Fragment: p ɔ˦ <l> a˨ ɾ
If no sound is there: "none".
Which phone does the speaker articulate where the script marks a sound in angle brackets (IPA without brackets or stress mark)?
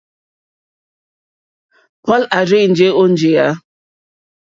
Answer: l